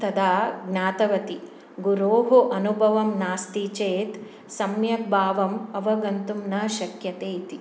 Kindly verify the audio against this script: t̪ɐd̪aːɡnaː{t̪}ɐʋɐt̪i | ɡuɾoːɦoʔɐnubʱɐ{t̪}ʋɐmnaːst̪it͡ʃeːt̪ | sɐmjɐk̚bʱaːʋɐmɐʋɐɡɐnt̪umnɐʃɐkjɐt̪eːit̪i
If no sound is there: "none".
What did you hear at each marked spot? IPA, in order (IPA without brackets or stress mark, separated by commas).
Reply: t̪, none